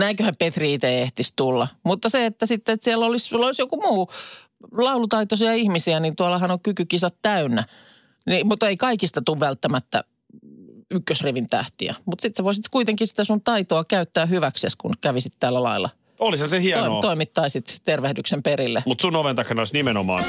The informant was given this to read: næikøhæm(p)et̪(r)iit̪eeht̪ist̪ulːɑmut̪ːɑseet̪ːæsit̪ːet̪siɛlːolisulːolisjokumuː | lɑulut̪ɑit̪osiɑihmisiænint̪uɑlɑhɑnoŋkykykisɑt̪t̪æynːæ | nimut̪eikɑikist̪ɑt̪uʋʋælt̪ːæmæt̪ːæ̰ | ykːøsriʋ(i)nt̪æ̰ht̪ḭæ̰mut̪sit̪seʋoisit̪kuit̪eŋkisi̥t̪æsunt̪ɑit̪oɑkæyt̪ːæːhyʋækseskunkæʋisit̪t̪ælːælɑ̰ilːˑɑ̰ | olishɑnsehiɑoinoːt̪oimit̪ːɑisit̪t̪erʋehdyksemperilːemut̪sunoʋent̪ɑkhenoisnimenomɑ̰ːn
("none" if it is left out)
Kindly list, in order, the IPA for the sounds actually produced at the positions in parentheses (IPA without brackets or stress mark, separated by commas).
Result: p, r, i